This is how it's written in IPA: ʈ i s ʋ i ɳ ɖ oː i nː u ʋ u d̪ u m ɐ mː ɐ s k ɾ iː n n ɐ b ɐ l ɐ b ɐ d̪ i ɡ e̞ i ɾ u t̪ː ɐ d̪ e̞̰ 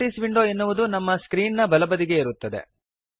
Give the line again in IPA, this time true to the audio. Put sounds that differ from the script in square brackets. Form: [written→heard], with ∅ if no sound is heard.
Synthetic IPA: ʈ i s ʋ i ɳ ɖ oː [i→e] nː u ʋ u d̪ u [m→n] ɐ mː ɐ s k ɾ iː n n ɐ b ɐ l ɐ b ɐ d̪ i ɡ e̞ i ɾ u t̪ː ɐ d̪ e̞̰